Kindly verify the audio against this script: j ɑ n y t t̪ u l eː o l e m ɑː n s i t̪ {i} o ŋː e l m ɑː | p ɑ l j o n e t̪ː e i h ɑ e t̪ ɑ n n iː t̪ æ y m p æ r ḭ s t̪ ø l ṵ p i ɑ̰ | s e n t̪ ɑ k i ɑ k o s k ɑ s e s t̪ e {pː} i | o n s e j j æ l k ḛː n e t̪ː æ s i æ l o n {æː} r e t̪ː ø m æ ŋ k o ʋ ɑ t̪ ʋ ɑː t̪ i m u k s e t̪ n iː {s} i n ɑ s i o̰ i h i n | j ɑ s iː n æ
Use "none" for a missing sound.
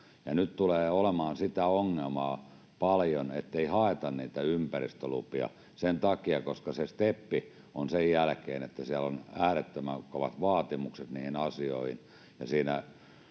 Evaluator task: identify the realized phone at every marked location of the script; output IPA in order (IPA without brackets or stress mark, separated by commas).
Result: æ, pː, æː, h